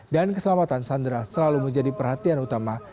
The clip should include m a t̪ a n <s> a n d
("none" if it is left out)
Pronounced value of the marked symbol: s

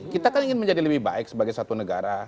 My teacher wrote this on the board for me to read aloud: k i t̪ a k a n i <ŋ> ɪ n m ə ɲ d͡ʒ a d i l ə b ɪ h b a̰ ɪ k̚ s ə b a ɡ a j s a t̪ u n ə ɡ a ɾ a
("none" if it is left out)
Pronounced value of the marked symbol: ŋ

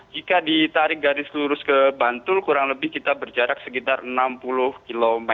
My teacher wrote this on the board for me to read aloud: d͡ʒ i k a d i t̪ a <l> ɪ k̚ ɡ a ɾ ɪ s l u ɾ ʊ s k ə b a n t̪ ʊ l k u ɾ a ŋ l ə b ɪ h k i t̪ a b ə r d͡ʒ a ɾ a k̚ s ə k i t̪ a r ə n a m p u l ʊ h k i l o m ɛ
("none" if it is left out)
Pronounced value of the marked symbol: ɾ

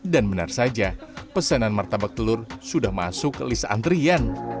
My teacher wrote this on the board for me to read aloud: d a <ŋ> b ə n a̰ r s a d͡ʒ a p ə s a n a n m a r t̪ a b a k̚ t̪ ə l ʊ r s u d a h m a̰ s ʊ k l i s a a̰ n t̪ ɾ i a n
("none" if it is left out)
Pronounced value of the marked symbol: n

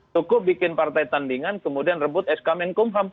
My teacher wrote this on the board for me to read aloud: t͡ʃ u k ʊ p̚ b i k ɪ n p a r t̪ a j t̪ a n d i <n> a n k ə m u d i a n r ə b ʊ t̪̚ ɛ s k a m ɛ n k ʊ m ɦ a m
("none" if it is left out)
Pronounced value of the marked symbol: ŋ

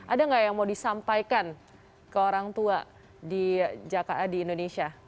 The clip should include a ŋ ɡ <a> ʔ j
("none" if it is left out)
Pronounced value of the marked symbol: a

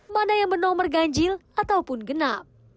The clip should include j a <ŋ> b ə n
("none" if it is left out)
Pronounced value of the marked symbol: ŋ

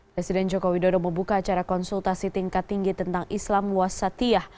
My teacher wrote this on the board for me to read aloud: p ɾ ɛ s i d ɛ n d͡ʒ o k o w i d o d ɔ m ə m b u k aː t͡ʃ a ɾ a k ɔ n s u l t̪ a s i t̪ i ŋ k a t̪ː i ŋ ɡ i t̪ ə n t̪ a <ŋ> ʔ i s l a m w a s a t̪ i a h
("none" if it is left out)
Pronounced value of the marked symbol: ŋ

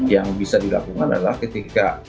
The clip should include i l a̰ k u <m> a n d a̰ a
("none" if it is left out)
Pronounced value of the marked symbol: ŋ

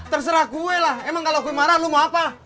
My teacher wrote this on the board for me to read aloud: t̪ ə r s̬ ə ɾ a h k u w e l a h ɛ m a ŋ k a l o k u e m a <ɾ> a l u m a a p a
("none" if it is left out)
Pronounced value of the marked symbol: ɾ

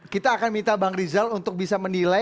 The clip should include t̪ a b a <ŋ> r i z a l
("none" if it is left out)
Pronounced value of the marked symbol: ŋ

